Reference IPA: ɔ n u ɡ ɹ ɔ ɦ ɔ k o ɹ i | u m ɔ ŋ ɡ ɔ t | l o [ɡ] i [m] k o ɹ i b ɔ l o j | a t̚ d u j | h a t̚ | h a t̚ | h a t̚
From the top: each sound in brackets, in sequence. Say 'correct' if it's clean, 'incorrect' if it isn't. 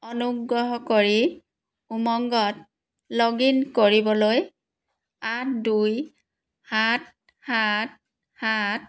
correct, incorrect: n

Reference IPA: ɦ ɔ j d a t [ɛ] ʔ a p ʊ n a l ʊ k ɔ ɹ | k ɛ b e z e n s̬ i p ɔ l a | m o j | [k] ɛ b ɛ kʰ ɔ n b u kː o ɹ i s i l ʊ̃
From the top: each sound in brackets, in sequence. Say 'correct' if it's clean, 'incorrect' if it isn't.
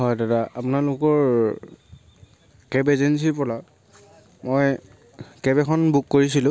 incorrect: a, correct

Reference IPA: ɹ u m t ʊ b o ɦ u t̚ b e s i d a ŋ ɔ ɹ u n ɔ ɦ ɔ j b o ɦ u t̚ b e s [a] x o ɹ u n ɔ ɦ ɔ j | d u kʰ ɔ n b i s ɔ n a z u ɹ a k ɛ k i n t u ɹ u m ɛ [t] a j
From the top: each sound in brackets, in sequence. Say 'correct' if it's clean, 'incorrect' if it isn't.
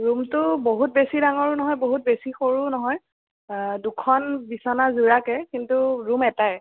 incorrect: i, correct

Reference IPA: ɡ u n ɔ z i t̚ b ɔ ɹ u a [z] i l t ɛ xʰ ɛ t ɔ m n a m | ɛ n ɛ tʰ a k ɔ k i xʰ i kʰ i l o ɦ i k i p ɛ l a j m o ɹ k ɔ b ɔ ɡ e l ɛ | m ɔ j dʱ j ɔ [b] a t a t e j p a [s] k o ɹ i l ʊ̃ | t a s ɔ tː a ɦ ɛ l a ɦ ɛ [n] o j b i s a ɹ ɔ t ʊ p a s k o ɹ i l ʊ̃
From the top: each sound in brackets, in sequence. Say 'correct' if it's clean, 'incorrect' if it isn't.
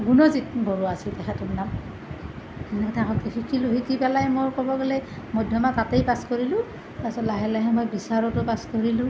incorrect: s, incorrect: m, correct, incorrect: m

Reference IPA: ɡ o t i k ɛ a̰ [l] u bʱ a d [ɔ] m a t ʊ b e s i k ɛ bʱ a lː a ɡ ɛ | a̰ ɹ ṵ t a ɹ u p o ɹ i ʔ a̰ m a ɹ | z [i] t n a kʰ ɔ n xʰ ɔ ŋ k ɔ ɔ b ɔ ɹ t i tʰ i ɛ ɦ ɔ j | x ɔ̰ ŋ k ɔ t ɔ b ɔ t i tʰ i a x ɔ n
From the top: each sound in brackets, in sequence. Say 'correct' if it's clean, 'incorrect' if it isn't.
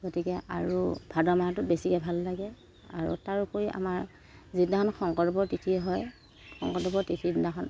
incorrect: ɹ, correct, correct

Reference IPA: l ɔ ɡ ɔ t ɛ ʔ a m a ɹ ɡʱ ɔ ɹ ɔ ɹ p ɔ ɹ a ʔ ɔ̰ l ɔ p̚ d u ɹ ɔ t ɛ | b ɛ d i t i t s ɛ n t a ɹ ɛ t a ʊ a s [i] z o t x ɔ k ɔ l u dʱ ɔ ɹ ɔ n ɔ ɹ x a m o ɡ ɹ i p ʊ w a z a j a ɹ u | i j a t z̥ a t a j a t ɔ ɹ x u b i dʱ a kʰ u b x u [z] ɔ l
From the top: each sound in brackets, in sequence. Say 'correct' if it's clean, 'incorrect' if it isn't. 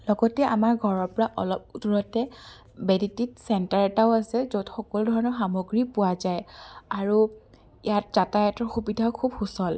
incorrect: ɛ, incorrect: s

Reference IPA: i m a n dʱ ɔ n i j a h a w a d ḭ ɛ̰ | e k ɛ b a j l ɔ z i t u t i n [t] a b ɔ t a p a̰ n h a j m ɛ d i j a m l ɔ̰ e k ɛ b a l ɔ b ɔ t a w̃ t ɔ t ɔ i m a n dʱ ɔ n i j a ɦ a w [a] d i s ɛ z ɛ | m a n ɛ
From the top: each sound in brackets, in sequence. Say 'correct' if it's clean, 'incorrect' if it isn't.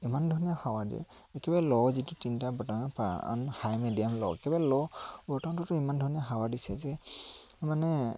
correct, correct

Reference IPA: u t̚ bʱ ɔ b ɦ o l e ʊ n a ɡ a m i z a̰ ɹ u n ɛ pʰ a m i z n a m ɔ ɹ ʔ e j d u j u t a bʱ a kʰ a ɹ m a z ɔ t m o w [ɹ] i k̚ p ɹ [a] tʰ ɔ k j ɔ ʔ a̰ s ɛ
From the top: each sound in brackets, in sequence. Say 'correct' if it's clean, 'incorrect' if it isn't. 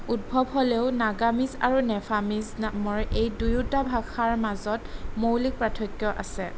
incorrect: l, correct

